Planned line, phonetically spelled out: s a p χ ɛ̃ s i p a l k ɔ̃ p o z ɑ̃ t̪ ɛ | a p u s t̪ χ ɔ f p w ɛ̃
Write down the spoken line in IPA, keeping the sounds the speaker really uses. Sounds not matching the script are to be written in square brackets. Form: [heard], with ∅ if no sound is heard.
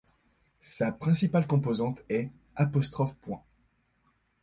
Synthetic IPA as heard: s a p χ ɛ̃ s i p a l k ɔ̃ p o z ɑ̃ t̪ ɛ | a p [ɔ] s t̪ χ ɔ f p w ɛ̃